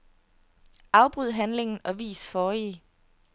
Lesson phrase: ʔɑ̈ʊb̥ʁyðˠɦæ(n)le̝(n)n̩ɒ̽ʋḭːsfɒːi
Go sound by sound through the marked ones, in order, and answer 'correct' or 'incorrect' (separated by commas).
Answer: correct, incorrect